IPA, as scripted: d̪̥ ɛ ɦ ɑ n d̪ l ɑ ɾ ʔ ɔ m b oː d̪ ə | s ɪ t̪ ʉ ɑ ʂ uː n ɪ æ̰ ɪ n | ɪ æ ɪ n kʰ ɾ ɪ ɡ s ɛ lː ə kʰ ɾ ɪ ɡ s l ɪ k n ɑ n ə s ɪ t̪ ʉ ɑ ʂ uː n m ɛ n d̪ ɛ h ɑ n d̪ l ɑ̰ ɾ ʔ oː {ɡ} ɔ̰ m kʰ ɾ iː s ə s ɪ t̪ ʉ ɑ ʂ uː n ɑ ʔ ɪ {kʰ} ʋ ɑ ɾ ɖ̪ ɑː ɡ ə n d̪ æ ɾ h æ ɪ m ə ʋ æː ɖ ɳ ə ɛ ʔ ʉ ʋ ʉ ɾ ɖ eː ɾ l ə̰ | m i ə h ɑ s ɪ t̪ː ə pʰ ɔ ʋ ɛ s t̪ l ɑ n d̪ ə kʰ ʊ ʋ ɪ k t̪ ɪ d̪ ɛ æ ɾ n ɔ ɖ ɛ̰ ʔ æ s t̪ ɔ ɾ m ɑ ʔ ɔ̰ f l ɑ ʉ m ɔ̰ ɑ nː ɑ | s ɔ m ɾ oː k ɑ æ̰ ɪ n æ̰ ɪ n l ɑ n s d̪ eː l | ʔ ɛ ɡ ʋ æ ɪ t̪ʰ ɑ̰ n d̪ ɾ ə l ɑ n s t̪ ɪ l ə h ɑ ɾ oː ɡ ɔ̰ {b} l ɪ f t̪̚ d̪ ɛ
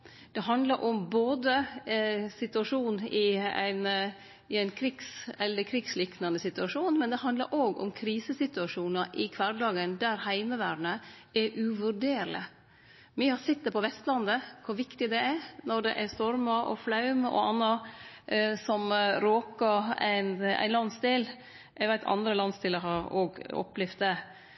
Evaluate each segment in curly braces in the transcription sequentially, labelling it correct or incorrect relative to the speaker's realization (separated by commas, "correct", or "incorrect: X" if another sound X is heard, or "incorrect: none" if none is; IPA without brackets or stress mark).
correct, correct, incorrect: p